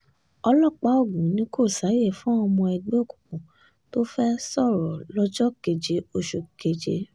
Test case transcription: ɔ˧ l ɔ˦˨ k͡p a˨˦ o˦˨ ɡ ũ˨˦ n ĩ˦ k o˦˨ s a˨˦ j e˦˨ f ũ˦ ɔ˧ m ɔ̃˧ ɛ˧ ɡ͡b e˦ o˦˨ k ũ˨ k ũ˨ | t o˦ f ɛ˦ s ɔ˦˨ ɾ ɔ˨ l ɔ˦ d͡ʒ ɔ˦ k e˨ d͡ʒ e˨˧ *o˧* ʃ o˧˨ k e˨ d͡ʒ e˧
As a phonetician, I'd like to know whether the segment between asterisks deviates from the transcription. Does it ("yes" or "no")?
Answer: no